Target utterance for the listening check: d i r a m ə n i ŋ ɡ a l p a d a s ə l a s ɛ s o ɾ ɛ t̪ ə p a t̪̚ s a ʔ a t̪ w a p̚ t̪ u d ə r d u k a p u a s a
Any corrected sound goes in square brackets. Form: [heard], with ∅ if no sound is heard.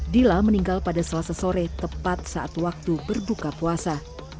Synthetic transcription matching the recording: d i [l] a m ə n i ŋ ɡ a l p a d a s ə l a s [a] s o ɾ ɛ t̪ ə p a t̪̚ s a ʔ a t̪ w a [k̚] t̪ u [b] ə r [b] u k a p u a s a